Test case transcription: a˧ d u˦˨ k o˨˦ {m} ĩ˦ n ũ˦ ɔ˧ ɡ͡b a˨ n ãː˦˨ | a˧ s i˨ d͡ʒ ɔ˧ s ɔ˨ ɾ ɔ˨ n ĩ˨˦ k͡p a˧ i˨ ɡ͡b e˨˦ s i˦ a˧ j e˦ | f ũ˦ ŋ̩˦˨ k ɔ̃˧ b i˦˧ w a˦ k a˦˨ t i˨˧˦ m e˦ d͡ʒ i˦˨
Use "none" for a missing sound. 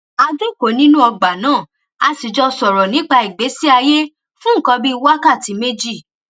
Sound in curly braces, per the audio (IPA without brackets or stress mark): n